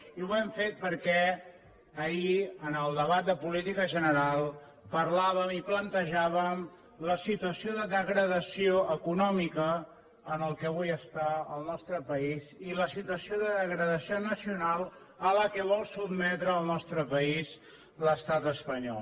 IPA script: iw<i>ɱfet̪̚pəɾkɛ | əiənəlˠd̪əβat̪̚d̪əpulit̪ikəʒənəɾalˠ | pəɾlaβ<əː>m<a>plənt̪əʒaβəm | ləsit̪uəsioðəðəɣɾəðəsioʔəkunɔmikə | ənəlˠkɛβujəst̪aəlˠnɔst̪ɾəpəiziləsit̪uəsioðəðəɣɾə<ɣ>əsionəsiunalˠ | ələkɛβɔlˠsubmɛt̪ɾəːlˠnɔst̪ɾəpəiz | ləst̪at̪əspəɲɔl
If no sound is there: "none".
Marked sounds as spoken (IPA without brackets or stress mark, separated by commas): ɛ, ə, i, ð